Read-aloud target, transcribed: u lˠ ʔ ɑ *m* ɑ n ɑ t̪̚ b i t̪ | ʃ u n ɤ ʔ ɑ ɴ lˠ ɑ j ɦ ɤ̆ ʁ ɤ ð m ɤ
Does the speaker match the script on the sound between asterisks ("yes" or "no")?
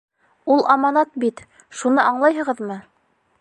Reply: yes